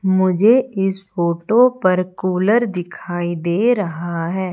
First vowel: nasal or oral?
oral